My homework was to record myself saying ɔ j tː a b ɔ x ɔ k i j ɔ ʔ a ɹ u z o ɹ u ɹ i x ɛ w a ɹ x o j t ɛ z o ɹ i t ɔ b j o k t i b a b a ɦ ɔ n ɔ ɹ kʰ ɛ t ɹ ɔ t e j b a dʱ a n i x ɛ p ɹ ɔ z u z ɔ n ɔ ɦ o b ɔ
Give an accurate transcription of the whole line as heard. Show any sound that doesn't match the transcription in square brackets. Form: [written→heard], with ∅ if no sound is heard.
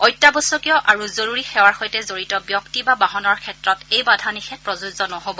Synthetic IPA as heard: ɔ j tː a b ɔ [x→s] ɔ k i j ɔ ʔ a ɹ u z o ɹ u ɹ i x ɛ w a ɹ x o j t ɛ z o ɹ i t ɔ b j [o→ɔ] k t i b a b a ɦ ɔ n ɔ ɹ kʰ ɛ t ɹ ɔ t e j b a dʱ a n i x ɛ p ɹ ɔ z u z ɔ n ɔ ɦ o b ɔ